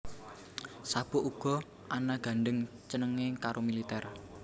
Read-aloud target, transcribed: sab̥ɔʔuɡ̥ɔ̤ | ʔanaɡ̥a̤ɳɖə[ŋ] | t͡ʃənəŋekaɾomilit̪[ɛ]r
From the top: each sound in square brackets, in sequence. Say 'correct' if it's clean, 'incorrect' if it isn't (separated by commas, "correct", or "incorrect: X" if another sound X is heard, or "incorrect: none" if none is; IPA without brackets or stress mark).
correct, correct